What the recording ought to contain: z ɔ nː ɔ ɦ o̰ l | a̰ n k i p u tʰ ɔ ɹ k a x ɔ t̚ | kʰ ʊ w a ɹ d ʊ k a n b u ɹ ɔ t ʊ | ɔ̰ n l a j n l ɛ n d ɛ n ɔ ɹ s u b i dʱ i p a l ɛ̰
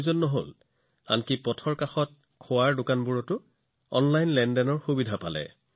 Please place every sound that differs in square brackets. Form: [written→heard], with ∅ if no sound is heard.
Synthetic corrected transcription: z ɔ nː ɔ ɦ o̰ l | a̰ n k i p [u→ɔ] tʰ ɔ ɹ k a x ɔ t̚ | kʰ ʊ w a ɹ d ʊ k a n b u ɹ ɔ t ʊ | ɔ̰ n l a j n l ɛ n d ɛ n ɔ ɹ [s→x] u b i dʱ [i→a] p a l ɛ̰